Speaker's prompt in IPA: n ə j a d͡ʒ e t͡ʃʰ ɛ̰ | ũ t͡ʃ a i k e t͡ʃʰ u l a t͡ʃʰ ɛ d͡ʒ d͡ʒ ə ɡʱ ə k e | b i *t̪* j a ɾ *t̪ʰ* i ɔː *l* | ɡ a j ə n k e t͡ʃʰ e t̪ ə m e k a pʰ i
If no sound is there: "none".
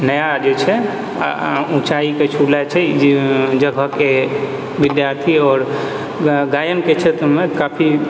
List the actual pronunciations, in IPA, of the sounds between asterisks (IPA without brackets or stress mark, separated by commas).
d̪, t̪ʰ, ɾ